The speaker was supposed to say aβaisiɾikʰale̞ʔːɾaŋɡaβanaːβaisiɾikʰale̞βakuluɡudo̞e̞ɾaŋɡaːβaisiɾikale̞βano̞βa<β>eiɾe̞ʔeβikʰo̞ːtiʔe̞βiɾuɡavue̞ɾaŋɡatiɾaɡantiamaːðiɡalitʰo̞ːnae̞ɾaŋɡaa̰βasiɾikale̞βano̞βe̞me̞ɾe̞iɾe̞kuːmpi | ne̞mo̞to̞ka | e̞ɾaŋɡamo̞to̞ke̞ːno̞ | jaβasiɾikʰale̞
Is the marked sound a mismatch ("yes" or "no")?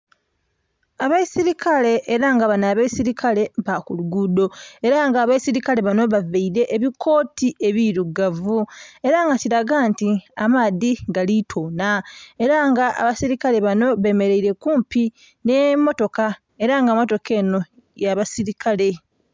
yes